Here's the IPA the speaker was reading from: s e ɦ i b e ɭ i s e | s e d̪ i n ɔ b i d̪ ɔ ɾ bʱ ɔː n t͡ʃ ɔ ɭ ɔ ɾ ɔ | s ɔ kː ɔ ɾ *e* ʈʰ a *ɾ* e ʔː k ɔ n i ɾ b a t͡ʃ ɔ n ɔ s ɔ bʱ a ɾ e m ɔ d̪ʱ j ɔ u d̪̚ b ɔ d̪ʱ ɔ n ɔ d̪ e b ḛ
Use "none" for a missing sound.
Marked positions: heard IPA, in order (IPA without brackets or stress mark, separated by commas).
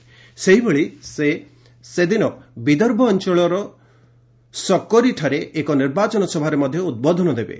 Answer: i, ɾ